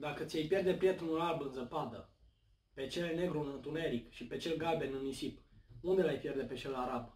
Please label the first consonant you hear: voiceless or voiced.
voiced